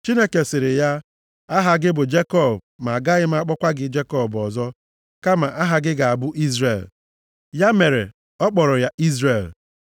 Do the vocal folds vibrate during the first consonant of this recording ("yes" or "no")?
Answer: no